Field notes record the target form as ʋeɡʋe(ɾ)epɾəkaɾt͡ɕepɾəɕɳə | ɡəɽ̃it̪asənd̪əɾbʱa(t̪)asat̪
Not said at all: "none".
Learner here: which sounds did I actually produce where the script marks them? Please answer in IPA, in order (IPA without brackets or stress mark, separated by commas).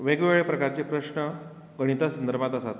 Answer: ɭ, t̪